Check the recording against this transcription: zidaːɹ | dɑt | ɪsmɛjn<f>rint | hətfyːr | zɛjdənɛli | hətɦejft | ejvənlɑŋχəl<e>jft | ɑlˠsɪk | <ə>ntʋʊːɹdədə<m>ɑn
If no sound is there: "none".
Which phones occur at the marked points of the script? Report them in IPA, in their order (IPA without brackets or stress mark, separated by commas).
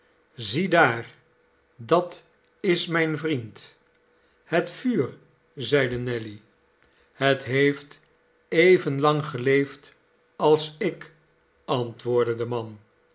v, e, ɑ, m